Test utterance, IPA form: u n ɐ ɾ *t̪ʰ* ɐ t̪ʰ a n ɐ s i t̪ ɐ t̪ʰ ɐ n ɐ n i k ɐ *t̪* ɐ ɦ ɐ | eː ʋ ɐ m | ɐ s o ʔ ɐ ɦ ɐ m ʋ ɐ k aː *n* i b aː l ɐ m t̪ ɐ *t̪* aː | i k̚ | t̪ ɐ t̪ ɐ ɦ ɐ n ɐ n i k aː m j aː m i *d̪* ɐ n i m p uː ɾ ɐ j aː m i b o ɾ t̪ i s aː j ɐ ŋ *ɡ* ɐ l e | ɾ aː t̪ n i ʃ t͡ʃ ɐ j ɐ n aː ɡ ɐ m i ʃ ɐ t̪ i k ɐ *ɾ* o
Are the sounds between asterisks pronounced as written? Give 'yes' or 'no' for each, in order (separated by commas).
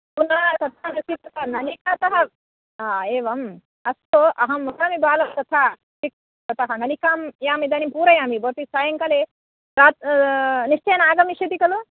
no, yes, no, no, yes, no, no